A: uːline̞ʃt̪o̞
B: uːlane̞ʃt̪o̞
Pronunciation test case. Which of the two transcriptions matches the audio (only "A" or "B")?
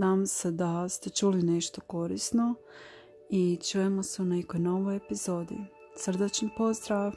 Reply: A